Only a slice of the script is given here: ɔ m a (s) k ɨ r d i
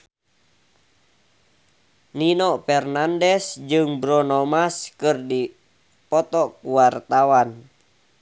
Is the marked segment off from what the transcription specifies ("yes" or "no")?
no